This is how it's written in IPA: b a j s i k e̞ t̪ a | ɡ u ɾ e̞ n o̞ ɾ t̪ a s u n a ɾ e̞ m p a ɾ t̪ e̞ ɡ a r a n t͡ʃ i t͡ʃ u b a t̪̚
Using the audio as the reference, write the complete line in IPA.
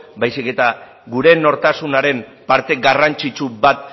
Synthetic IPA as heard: b a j s i k e̞ t̪ a | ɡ u ɾ e̞ n o̞ ɾ t̪ a s u n a ɾ e̞ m p a ɾ t̪ e̞ ɡ a r a n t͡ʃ i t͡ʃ u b a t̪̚

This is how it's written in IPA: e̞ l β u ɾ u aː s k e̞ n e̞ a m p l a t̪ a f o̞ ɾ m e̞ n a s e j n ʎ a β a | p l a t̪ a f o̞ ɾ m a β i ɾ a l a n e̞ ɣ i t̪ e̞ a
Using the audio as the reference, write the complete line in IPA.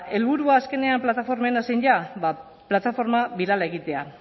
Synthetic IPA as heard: e̞ l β u ɾ u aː s k e̞ n e̞ a m p l a t̪ a f o̞ ɾ m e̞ n a s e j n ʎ a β a | p l a t̪ a f o̞ ɾ m a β i ɾ a l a e̞ ɣ i t̪ e̞ a

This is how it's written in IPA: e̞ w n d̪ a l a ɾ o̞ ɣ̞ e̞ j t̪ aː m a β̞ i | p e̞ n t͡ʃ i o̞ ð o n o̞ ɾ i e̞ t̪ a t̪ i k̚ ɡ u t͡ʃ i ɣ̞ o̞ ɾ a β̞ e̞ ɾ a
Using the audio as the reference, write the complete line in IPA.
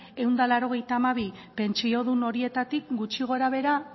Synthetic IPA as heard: e̞ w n d̪ a l a ɾ o̞ ɣ̞ e̞ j t̪ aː m a β̞ i | p e̞ n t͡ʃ i o̞ ð u n o̞ ɾ i e̞ t̪ a t̪ i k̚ ɡ u t͡ʃ i ɣ̞ o̞ ɾ a β̞ e̞ ɾ a

